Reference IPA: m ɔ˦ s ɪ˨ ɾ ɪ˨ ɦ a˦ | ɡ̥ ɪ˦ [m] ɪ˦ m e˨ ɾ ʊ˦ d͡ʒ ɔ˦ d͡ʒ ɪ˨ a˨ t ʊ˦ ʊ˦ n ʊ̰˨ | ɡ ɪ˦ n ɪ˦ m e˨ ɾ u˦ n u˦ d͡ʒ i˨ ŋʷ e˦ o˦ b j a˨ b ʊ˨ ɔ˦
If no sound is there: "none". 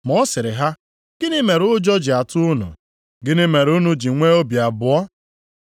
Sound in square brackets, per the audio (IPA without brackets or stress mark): n